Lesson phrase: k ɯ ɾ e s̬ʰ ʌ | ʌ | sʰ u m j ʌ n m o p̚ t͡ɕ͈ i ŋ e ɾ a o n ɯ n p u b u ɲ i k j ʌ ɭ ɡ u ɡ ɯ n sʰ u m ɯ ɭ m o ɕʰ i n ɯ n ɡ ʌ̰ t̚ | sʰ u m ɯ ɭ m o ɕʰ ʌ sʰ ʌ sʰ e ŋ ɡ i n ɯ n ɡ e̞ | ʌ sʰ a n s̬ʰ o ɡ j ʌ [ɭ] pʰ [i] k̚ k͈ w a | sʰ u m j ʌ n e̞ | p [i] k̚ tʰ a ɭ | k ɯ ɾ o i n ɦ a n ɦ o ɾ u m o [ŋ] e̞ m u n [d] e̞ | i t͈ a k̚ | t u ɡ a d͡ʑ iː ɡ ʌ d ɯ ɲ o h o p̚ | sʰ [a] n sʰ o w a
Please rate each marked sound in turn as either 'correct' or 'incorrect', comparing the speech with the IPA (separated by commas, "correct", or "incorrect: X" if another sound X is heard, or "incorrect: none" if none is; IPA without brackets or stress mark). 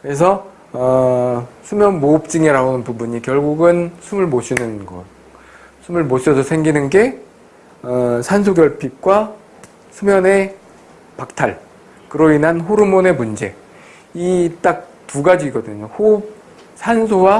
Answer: correct, correct, incorrect: a, incorrect: n, incorrect: d͡ʑ, correct